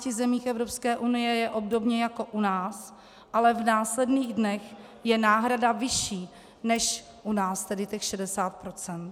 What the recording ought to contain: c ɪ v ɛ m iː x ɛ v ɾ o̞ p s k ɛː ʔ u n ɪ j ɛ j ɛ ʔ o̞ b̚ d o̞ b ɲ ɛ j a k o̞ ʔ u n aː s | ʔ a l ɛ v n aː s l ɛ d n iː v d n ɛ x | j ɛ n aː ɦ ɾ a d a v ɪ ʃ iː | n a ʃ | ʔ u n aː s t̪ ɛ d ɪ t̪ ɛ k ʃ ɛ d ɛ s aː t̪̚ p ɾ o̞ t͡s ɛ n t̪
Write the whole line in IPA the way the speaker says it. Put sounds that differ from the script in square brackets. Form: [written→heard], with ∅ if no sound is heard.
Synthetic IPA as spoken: c ɪ [v→z] ɛ m iː x ɛ v ɾ o̞ p s k ɛː ʔ u n ɪ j ɛ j ɛ ʔ o̞ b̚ d o̞ b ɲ ɛ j a k o̞ ʔ u n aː s | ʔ a l ɛ v n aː s l ɛ d n iː [v→ɣ] d n ɛ x | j ɛ n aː ɦ ɾ a d a v ɪ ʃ iː | n [a→ɛ] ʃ | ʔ u n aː s t̪ ɛ d ɪ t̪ ɛ [k→x] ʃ ɛ d ɛ s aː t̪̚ p ɾ o̞ t͡s ɛ n t̪